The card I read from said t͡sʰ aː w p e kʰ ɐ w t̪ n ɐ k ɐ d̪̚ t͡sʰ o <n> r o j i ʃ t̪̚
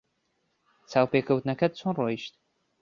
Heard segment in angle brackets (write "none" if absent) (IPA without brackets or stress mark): n